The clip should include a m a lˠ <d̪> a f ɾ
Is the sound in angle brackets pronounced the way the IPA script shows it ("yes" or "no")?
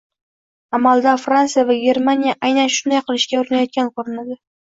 yes